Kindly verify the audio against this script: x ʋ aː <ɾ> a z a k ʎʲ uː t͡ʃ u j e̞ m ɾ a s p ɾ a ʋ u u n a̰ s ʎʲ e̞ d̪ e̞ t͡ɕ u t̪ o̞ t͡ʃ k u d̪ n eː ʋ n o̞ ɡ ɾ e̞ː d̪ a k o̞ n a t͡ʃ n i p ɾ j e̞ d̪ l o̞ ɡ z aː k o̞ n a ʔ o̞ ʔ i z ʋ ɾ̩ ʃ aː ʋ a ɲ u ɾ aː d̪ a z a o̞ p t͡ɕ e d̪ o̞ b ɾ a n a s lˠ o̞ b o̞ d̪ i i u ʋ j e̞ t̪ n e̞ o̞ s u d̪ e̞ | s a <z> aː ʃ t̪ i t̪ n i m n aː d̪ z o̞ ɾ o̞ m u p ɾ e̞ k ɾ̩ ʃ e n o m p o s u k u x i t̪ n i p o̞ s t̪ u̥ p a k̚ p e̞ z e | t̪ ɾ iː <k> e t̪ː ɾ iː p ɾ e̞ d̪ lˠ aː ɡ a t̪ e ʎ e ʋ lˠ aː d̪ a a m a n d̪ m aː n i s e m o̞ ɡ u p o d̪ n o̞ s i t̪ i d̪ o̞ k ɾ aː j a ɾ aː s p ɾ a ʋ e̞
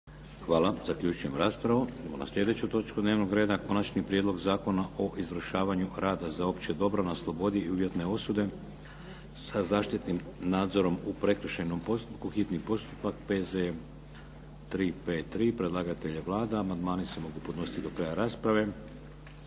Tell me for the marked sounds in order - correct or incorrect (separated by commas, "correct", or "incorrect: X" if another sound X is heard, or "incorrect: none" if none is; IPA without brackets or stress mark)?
incorrect: l, correct, incorrect: p